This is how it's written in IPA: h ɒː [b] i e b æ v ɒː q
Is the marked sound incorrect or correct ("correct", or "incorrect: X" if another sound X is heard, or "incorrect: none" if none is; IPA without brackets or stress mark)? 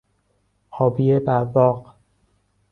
correct